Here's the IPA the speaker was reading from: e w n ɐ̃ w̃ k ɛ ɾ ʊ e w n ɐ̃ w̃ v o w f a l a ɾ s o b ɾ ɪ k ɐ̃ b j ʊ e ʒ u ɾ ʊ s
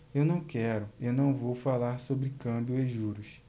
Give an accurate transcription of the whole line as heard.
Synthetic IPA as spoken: e w n ɐ̃ w̃ k ɛ ɾ ʊ e w n ɐ̃ w̃ v o w f a l a ɾ s o b ɾ ɪ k ɐ̃ b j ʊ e ʒ u ɾ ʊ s